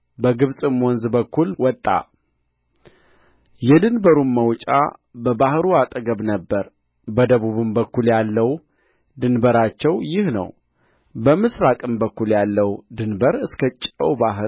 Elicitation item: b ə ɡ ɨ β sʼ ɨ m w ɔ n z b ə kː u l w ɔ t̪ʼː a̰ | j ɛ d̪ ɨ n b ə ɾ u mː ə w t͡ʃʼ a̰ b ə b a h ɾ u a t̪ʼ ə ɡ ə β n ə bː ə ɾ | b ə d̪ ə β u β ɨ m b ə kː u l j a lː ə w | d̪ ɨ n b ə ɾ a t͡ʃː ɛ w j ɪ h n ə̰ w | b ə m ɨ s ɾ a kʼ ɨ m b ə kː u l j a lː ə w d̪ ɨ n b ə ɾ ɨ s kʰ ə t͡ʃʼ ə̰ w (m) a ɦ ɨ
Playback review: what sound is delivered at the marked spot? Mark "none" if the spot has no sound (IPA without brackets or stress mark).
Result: b